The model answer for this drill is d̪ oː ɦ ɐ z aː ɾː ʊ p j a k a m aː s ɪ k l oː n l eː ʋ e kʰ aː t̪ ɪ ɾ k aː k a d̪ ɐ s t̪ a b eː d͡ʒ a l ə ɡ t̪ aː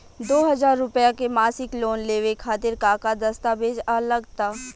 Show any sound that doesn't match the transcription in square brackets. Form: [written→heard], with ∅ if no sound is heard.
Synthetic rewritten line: d̪ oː ɦ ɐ z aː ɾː ʊ p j a k [a→e] m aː s ɪ k l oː n l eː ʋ e kʰ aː t̪ ɪ ɾ k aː k a d̪ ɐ s t̪ a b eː d͡ʒ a l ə ɡ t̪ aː

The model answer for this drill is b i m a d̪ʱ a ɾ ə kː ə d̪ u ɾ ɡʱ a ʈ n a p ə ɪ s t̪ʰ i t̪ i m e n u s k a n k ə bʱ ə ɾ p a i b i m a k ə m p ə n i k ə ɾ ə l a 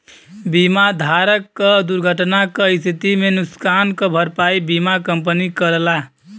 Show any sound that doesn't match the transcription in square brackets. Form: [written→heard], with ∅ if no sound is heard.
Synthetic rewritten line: b i m a d̪ʱ a ɾ ə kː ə d̪ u ɾ ɡʱ [a→ə] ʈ n a [p→k] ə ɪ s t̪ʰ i t̪ i m e n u s k a n k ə bʱ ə ɾ p a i b i m a k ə m p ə n i k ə ɾ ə l a

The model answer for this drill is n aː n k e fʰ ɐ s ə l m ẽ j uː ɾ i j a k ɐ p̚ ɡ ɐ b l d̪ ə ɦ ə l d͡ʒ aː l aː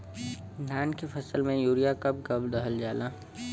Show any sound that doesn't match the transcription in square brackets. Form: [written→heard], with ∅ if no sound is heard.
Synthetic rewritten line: n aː n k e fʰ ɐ s ə l m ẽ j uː ɾ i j a k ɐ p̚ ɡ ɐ b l d̪ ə ɦ ə l d͡ʒ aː l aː

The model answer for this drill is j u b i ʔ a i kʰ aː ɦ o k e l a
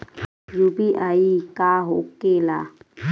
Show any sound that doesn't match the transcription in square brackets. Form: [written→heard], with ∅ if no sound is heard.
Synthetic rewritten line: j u b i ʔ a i [kʰ→k] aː ɦ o k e l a

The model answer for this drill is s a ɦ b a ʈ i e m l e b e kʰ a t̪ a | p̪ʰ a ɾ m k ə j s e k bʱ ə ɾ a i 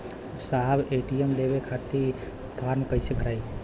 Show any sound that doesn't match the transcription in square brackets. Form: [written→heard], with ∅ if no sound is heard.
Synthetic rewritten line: s a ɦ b [a→e] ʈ i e m l e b e kʰ a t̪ [a→i] | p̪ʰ a ɾ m k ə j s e [k→∅] bʱ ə ɾ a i

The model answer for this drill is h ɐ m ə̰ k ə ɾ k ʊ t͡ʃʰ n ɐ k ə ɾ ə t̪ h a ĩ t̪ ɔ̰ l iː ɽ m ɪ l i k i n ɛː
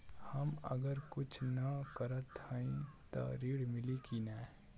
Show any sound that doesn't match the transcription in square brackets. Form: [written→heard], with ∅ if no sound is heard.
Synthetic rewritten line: h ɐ m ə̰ [k→ɡ] ə ɾ k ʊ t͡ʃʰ n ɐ k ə ɾ ə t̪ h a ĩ t̪ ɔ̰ [l→ɾ] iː ɽ m ɪ l i k i n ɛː

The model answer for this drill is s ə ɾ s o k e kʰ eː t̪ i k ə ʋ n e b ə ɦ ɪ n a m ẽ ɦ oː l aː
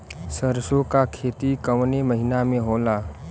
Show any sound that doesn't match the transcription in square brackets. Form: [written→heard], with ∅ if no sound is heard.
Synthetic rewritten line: s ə ɾ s o k [e→a] kʰ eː t̪ i k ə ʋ n e [b→m] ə ɦ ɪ n a m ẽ ɦ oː l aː

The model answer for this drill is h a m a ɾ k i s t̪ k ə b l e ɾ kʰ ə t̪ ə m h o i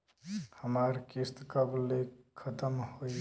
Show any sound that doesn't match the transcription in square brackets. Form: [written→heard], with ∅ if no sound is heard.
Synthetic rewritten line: h [a→ə] m a ɾ k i s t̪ k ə b l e [ɾ→∅] kʰ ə t̪ ə m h o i

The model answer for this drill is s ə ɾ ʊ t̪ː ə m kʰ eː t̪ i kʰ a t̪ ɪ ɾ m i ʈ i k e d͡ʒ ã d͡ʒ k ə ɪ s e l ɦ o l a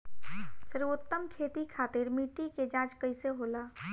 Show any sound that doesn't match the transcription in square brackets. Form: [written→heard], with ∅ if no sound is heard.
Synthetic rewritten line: s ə ɾ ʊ t̪ː ə m kʰ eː t̪ i kʰ a t̪ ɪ ɾ m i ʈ i k e d͡ʒ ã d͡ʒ k ə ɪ s e [l→∅] ɦ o l a

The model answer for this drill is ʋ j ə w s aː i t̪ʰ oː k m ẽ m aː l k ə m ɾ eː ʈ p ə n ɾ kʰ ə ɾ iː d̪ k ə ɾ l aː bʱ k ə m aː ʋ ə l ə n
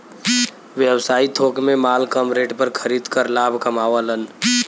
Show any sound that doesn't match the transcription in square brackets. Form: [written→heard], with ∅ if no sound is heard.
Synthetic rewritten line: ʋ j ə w s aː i t̪ʰ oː k m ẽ m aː l k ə m ɾ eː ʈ p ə [n→∅] ɾ kʰ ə ɾ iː d̪ k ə ɾ l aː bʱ k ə m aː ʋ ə l ə n

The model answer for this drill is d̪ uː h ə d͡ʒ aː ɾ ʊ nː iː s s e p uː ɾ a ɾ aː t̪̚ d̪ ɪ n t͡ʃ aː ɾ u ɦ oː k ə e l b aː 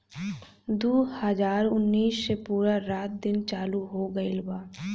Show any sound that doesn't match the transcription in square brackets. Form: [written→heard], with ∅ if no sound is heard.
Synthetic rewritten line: d̪ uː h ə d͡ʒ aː ɾ ʊ nː iː s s e p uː ɾ a ɾ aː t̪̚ d̪ ɪ n t͡ʃ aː [ɾ→l] u ɦ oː [k→ɡ] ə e l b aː

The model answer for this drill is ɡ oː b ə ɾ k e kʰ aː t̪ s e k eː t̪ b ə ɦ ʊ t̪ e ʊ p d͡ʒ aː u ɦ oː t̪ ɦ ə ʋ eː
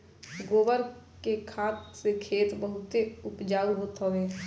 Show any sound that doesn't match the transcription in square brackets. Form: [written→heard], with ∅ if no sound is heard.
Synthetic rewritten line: ɡ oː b ə ɾ k e kʰ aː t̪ s e [k→kʰ] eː t̪ b ə ɦ ʊ t̪ e ʊ p d͡ʒ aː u ɦ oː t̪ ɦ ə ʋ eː

